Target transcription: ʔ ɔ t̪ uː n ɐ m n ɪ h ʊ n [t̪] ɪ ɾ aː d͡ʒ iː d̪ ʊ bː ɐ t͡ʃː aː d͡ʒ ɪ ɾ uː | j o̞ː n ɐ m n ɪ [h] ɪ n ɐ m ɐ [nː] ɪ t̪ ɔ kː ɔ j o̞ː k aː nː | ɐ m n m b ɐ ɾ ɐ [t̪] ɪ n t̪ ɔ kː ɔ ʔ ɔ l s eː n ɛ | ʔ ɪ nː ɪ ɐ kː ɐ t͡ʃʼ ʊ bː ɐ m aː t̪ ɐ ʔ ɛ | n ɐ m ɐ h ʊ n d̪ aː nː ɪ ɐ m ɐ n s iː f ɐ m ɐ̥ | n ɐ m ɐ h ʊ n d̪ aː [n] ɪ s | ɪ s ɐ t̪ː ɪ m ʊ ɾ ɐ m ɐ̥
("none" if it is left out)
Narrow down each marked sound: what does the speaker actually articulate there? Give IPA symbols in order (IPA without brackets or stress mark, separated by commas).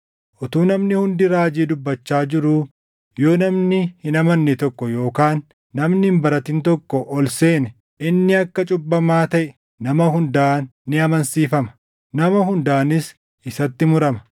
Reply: d̪, h, nː, t̪, n